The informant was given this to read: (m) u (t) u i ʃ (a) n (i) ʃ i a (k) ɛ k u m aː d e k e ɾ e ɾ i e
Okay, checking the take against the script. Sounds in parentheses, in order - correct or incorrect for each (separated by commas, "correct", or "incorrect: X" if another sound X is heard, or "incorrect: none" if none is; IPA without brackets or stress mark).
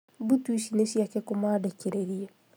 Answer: incorrect: b, correct, incorrect: i, incorrect: e, correct